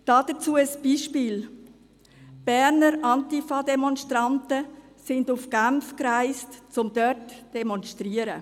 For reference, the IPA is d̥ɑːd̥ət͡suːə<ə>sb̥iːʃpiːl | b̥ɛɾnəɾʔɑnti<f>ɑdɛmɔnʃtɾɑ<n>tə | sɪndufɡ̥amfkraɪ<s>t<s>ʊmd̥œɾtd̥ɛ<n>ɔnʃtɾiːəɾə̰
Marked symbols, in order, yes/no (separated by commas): yes, yes, yes, yes, no, no